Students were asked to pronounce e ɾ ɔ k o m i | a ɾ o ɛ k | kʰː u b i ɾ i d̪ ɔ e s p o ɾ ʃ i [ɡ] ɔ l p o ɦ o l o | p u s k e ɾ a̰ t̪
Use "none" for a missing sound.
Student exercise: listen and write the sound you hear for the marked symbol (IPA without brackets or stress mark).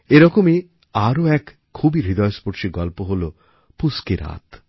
ɡ